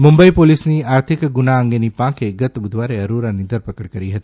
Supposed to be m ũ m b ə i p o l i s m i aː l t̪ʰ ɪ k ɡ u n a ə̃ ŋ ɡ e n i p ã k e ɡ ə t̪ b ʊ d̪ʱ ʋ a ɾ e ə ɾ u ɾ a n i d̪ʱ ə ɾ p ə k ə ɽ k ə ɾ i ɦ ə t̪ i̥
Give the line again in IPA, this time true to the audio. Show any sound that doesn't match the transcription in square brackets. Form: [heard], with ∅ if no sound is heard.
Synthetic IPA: m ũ m b ə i p o l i s [n] i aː [ɾ] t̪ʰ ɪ k ɡ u n a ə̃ ŋ ɡ e n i p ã k e ɡ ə t̪ b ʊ d̪ʱ ʋ a ɾ e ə ɾ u ɾ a n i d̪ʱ ə ɾ p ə k ə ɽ k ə ɾ i ɦ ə t̪ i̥